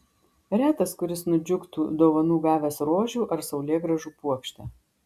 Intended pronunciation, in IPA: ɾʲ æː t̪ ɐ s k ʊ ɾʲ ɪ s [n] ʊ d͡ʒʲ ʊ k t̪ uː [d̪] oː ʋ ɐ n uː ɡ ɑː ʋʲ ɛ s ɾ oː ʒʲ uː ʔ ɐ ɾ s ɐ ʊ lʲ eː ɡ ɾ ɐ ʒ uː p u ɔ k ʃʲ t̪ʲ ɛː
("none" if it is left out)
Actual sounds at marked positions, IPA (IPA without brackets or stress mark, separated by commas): n, d̪